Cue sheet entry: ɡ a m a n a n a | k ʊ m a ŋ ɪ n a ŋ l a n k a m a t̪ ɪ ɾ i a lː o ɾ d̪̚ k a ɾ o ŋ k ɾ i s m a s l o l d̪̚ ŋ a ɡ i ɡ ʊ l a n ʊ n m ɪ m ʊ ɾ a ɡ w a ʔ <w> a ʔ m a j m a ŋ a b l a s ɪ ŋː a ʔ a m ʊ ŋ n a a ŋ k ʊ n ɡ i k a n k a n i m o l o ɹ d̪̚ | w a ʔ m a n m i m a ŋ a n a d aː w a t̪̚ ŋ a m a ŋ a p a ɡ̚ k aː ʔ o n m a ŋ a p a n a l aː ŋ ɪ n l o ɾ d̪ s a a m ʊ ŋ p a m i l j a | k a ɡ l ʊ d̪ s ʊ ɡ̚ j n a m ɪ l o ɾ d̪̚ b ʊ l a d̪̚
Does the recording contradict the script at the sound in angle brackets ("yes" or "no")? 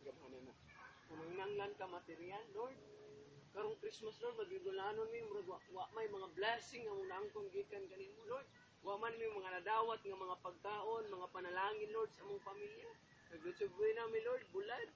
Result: no